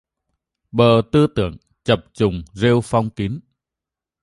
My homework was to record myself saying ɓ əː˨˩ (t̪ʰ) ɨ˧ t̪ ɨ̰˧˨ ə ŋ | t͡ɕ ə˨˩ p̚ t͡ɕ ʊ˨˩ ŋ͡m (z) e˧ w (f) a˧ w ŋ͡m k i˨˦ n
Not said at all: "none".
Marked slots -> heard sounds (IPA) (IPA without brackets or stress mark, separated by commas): t̪, z, f